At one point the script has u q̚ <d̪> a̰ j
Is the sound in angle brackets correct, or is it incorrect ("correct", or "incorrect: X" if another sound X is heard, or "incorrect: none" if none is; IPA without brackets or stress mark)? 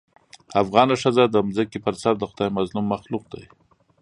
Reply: correct